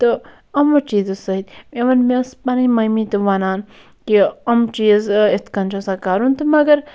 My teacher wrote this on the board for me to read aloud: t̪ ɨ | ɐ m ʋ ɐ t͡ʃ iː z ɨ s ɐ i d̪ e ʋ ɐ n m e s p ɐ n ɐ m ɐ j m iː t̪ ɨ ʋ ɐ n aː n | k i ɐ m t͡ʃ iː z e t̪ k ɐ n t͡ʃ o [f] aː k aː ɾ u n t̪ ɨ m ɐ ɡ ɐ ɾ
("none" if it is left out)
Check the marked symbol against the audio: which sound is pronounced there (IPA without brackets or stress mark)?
s